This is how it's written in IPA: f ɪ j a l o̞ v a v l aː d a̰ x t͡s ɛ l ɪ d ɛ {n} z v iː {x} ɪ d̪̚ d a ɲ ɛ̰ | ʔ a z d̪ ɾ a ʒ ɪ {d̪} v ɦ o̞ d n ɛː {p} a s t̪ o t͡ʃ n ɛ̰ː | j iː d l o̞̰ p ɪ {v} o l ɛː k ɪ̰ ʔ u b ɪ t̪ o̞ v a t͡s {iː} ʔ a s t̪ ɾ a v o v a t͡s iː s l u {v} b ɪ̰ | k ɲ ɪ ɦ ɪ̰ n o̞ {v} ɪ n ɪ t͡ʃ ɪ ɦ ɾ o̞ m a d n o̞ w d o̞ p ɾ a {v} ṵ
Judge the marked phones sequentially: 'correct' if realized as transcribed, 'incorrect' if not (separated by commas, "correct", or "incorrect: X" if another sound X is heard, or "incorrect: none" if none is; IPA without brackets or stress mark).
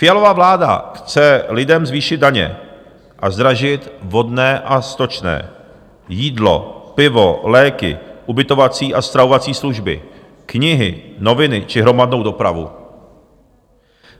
incorrect: m, incorrect: ʃ, incorrect: t̪, incorrect: ʔ, correct, correct, incorrect: ʒ, correct, correct